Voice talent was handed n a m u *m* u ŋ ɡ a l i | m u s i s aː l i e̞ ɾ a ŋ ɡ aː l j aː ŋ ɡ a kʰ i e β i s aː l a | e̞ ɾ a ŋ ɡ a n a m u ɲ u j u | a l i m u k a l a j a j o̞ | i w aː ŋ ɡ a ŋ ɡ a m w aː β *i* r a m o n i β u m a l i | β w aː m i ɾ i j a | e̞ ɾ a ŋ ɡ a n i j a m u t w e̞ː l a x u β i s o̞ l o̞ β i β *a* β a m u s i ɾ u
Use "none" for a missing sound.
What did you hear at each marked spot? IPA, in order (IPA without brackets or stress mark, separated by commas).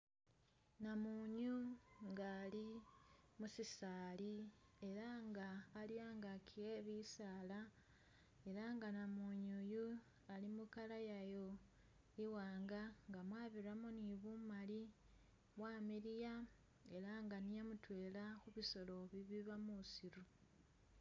ɲ, i, i